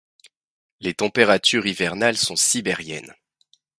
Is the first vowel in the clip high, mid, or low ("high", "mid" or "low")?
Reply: mid